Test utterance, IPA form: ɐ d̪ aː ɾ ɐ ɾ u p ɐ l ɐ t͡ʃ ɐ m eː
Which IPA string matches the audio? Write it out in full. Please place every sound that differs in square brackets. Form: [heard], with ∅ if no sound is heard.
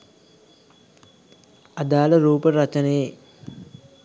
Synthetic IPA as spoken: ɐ d̪ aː [l] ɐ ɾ [uː] p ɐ [ɾ] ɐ t͡ʃ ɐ [n] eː